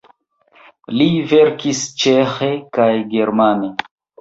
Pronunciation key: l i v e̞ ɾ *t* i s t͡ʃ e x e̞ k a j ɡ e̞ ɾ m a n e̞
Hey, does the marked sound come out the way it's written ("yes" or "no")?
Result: no